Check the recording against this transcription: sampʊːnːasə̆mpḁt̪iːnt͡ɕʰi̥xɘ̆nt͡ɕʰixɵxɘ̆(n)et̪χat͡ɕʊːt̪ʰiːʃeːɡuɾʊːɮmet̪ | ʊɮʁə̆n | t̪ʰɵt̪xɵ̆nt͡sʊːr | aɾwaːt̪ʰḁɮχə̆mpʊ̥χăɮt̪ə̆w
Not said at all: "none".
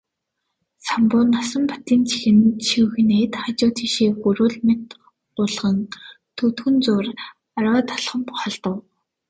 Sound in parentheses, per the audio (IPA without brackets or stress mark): n